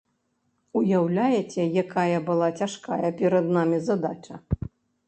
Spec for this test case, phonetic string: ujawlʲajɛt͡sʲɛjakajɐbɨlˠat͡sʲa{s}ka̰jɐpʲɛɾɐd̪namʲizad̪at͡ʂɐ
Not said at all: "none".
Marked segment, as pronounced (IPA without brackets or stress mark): ʂ